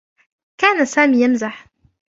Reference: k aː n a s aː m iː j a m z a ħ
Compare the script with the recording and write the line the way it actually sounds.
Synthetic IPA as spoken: k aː n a s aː m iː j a m z a ħ